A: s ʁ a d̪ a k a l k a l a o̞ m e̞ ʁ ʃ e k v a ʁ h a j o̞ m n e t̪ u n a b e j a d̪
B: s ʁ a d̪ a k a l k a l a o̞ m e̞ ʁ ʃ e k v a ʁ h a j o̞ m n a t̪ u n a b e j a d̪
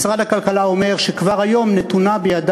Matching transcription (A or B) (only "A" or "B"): A